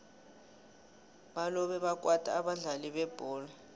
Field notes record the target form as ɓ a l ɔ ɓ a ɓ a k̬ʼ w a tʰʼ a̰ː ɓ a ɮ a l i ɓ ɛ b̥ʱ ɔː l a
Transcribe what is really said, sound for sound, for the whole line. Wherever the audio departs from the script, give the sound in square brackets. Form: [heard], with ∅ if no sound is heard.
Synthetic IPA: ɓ a l ɔ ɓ [ɛ] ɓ a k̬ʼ w a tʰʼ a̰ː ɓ a ɮ a l i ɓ ɛ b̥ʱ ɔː l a